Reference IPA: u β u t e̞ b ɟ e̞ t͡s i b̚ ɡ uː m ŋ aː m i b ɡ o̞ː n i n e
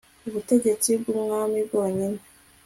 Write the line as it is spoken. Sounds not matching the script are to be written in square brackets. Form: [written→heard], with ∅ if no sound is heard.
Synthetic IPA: u β u t e̞ [b→∅] ɟ e̞ t͡s i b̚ ɡ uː m ŋ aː m i b ɡ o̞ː [n→ɲ] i n e